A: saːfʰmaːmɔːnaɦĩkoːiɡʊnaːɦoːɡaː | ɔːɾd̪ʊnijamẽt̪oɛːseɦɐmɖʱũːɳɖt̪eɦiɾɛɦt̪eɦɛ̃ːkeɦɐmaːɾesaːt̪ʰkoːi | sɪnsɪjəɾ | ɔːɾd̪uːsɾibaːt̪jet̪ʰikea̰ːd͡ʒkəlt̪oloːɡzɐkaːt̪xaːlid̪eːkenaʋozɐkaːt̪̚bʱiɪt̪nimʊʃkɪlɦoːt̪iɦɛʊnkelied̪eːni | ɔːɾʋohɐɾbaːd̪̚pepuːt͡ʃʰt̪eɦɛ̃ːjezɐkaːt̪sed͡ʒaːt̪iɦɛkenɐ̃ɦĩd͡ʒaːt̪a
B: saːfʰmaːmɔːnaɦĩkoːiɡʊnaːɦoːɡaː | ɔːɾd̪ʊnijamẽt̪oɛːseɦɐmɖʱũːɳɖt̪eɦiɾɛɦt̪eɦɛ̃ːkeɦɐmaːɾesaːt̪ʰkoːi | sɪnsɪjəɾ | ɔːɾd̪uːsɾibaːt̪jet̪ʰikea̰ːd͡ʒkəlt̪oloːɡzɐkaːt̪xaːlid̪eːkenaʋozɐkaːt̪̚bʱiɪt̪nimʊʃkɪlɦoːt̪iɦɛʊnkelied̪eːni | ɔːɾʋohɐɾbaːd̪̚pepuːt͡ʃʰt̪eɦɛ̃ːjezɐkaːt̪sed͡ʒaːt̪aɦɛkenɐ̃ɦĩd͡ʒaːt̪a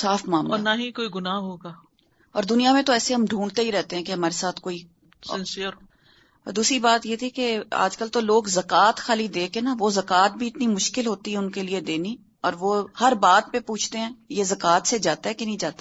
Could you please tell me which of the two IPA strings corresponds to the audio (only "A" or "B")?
B